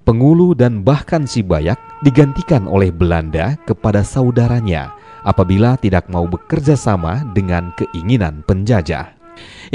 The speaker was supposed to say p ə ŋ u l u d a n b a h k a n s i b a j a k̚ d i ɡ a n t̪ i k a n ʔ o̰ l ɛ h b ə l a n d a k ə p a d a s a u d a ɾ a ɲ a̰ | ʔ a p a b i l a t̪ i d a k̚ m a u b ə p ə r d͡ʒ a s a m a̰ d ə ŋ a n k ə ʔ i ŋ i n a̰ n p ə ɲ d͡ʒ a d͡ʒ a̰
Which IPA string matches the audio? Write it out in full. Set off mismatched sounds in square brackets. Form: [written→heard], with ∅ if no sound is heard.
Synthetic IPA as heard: p ə ŋ u l u d a n b a h k a n s i b a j a k̚ d i ɡ a n t̪ i k a n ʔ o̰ l ɛ h b ə l a n d a k ə p a d a s a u d a ɾ a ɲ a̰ | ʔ a p a b i l a t̪ i d a k̚ m a u b ə [p→k] ə r d͡ʒ a s a m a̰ d ə ŋ a n k ə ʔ i ŋ i n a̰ n p ə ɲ d͡ʒ a d͡ʒ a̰